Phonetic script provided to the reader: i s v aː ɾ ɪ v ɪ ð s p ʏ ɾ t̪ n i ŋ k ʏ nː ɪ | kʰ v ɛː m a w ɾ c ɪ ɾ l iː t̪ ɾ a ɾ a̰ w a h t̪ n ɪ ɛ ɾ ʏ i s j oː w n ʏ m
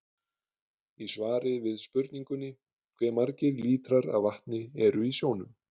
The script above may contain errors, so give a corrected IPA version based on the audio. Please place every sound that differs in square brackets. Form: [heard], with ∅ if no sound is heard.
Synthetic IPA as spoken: i s v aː ɾ ɪ v ɪ ð s p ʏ ɾ t̪ n i ŋ k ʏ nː ɪ | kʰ v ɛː m a [∅] ɾ c ɪ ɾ l iː t̪ ɾ a ɾ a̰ [v] a h t̪ n ɪ ɛ ɾ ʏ i s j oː w n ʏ m